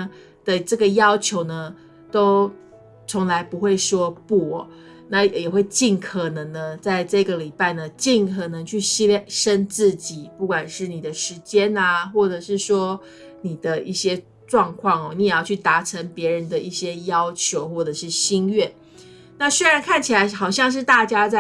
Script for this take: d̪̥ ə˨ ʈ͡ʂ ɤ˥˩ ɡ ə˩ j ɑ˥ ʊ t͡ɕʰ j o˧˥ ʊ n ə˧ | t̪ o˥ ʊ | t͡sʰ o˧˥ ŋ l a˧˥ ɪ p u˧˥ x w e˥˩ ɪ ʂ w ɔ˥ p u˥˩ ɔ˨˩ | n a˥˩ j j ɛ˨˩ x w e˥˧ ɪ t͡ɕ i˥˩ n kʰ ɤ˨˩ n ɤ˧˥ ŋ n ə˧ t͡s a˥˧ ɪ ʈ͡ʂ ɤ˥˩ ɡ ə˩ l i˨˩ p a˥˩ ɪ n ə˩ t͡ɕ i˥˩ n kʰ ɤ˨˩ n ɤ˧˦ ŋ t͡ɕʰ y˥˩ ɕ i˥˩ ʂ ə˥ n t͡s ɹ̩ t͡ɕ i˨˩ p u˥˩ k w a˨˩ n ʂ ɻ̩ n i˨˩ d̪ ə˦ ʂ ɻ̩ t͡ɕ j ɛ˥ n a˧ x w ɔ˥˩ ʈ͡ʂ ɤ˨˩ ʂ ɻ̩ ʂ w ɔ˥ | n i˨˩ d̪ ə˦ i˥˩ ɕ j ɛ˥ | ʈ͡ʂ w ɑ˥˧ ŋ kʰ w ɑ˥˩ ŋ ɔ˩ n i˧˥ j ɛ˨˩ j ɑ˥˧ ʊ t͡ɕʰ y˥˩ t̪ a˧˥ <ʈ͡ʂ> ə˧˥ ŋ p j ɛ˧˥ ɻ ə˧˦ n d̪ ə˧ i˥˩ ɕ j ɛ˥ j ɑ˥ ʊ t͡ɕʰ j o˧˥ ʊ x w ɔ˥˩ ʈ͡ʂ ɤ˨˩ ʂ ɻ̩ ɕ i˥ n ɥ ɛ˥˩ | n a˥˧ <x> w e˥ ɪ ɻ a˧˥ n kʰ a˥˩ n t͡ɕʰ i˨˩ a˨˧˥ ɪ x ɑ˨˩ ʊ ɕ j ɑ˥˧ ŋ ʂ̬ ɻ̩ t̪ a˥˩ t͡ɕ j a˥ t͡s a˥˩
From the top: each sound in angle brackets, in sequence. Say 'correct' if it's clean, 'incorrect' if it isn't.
incorrect: ʈ͡ʂʰ, incorrect: s

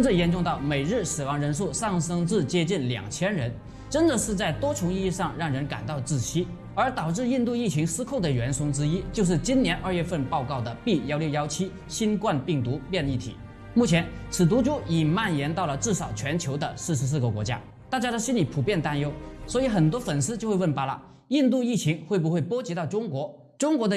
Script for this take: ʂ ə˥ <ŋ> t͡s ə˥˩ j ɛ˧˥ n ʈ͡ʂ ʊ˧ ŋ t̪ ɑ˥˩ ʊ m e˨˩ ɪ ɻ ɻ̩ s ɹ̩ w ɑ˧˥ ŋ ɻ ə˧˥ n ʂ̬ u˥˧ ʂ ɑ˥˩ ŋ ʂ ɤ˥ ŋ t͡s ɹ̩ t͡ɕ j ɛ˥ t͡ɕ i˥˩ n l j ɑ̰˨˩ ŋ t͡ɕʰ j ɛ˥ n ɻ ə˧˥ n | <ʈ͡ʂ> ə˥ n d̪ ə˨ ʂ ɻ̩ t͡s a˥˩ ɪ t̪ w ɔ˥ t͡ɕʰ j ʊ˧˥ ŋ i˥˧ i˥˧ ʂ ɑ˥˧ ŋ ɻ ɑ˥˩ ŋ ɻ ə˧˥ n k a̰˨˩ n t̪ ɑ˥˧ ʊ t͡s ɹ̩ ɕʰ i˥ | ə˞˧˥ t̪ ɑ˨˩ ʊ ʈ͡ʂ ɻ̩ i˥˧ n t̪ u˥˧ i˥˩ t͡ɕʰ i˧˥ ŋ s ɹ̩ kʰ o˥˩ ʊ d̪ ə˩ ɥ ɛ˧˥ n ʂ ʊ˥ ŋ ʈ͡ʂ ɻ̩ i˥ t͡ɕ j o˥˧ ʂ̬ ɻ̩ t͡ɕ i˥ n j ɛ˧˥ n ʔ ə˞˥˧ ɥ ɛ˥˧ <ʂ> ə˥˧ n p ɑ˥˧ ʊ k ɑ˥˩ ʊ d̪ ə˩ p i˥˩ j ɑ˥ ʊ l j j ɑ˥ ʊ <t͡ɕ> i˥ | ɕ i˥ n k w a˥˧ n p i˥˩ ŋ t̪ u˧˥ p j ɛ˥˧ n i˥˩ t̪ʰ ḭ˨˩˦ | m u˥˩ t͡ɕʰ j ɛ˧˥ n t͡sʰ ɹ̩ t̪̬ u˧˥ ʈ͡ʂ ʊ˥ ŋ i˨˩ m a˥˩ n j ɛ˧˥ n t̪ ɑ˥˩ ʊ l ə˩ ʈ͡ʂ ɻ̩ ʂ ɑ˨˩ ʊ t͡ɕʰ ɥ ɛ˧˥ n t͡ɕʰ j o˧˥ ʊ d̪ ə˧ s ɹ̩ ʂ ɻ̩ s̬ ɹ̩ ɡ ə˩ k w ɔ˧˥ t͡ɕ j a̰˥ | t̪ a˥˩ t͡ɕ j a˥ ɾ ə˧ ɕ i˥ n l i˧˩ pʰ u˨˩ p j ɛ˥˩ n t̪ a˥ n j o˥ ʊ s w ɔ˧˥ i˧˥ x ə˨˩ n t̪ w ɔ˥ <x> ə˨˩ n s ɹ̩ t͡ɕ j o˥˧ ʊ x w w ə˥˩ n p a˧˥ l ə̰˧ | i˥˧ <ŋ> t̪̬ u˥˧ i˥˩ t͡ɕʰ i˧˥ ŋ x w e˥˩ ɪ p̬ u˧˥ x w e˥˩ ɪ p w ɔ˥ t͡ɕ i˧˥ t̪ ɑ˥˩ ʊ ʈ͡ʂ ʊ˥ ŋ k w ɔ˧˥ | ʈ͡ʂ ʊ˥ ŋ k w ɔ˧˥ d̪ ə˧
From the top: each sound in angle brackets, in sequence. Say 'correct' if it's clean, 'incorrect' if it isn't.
incorrect: n, correct, incorrect: f, incorrect: t͡ɕʰ, incorrect: f, incorrect: n

